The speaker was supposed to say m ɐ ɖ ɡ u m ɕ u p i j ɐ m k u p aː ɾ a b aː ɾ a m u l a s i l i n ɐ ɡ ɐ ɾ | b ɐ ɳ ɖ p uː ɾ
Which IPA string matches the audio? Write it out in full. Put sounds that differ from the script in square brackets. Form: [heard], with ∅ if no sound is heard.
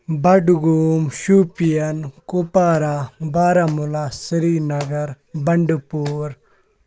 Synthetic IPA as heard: [b] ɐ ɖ ɡ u m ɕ u p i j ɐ [n] k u p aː ɾ a b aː ɾ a m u l a s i [ɾ] i n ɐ ɡ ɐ ɾ | b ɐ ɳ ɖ p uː ɾ